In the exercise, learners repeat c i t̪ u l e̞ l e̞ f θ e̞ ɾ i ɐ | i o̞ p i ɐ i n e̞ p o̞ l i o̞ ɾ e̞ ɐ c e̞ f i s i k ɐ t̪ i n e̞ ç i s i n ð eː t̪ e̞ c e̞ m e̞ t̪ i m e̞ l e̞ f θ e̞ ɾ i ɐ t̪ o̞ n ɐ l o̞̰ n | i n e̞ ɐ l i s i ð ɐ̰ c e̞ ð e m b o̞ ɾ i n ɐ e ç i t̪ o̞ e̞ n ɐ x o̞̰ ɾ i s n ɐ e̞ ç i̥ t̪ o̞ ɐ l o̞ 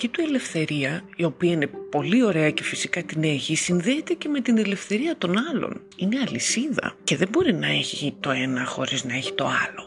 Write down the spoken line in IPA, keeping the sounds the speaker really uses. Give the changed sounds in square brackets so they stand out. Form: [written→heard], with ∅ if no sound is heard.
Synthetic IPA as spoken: c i t̪ u [l→∅] e̞ l e̞ f θ e̞ ɾ i ɐ | i o̞ p i ɐ i n e̞ p o̞ l i o̞ ɾ e̞ ɐ c e̞ f i s i k ɐ t̪ i n e̞ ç i s i n ð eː t̪ e̞ c e̞ m e̞ t̪ i [m→n] e̞ l e̞ f θ e̞ ɾ i ɐ t̪ o̞ n ɐ l o̞̰ n | i n e̞ ɐ l i s i ð ɐ̰ c e̞ ð e m b o̞ ɾ i n ɐ e ç i t̪ o̞ e̞ n ɐ x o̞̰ ɾ i [s→z] n ɐ e̞ ç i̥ t̪ o̞ ɐ l o̞